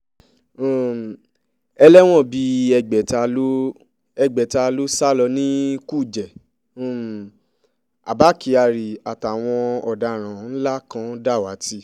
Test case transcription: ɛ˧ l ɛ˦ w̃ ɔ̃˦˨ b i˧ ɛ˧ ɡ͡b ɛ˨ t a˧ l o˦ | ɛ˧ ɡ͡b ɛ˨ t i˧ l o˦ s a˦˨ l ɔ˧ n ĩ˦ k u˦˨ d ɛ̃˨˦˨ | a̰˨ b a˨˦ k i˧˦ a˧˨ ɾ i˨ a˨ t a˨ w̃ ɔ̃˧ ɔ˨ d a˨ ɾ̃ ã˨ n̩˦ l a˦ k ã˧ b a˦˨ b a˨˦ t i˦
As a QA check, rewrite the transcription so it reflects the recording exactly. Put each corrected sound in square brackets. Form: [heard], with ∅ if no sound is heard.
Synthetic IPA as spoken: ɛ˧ l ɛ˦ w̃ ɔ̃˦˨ b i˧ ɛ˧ ɡ͡b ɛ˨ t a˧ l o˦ | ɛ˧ ɡ͡b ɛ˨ t [a˧] l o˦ s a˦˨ l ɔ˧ n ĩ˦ k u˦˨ [d͡ʒ] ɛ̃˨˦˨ | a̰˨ b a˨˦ k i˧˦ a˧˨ ɾ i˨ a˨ t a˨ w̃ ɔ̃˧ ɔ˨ d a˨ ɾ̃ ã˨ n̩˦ l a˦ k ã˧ [d] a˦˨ [w] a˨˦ t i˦